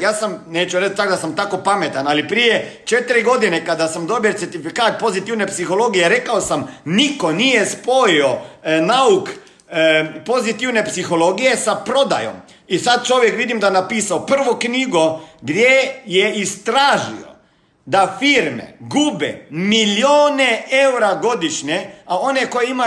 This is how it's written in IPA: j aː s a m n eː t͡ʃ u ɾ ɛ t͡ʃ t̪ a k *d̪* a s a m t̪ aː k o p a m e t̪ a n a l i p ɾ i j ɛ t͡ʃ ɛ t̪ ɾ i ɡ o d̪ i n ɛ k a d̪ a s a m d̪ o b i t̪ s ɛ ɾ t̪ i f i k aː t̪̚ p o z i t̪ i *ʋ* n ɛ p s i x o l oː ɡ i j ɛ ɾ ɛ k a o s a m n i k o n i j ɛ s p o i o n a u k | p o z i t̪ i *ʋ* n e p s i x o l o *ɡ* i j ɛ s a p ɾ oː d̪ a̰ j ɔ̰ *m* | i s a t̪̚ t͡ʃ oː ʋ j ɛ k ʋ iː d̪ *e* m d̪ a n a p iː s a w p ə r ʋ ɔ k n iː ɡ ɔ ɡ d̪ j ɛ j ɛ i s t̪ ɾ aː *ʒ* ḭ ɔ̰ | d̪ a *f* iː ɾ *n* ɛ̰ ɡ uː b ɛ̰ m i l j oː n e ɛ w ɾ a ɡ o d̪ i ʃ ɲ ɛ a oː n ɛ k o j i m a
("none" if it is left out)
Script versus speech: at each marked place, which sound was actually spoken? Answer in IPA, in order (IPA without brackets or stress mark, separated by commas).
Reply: d̪, w, w, ɡ, m, i, ʒ, f, m